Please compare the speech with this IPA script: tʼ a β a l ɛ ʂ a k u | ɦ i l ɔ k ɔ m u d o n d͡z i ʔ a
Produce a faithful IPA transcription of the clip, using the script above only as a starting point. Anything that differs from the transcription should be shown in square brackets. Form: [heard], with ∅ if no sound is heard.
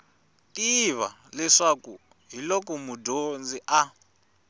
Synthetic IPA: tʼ [i] β a l ɛ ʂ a k u | ɦ i l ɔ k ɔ m u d o n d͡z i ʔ a